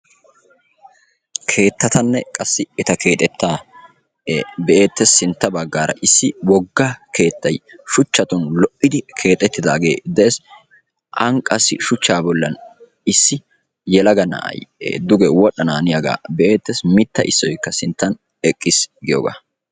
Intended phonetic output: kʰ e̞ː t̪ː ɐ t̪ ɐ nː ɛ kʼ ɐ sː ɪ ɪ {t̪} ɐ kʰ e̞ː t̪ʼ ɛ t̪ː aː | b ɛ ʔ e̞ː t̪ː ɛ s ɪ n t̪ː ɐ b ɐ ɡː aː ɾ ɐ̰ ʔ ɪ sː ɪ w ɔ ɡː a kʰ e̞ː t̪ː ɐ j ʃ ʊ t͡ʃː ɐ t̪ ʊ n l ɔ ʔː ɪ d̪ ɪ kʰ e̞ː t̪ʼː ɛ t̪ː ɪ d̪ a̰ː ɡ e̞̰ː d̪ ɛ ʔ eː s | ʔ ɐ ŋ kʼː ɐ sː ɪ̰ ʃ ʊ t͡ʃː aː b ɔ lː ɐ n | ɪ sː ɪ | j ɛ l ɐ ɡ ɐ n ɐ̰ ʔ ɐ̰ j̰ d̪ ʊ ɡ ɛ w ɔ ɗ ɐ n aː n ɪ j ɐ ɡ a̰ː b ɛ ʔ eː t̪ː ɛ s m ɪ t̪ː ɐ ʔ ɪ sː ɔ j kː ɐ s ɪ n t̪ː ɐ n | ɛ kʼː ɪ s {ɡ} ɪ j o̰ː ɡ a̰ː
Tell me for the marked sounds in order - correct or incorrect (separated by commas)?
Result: correct, correct